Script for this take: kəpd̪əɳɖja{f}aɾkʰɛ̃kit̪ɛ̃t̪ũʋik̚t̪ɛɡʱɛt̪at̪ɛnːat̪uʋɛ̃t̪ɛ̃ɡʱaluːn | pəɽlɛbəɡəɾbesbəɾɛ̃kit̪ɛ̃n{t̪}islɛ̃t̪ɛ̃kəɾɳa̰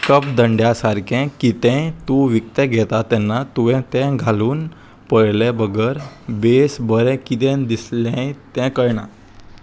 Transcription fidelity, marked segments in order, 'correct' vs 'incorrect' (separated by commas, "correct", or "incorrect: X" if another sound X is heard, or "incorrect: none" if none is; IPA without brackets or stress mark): incorrect: s, incorrect: d̪